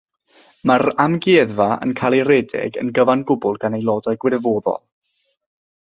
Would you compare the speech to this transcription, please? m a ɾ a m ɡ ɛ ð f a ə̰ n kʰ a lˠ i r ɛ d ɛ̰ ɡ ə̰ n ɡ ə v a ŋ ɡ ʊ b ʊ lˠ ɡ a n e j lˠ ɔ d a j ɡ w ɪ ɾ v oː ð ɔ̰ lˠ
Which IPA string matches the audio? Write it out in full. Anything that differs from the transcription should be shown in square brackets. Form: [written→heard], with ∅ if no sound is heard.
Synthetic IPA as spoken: m a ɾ a m ɡ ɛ ð [f→v] a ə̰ n kʰ a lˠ i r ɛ d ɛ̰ ɡ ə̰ n ɡ ə v a [ŋ→n] ɡ ʊ b ʊ lˠ ɡ a n e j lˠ ɔ d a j ɡ w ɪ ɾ v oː ð ɔ̰ lˠ